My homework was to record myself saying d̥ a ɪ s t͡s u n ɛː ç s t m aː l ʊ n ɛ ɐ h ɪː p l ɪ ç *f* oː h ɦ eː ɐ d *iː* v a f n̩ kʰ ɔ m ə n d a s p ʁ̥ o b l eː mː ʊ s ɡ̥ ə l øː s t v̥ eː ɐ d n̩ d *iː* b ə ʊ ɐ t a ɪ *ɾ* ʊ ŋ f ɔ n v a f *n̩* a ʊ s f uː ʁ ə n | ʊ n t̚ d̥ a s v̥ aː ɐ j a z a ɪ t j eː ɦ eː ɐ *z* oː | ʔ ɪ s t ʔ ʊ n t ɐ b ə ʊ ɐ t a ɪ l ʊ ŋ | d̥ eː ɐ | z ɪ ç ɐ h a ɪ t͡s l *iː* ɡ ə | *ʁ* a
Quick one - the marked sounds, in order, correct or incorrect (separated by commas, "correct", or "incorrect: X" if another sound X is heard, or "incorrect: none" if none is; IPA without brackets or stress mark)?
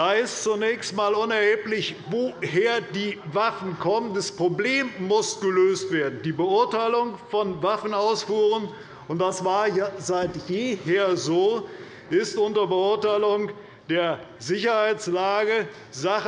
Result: incorrect: v, correct, correct, incorrect: l, correct, correct, incorrect: aː, incorrect: z